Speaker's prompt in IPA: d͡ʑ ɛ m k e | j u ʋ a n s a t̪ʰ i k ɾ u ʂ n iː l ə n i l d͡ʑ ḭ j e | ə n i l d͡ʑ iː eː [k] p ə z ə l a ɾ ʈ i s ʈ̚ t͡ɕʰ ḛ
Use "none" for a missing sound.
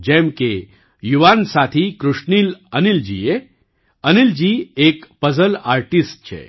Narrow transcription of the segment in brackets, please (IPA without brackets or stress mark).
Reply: k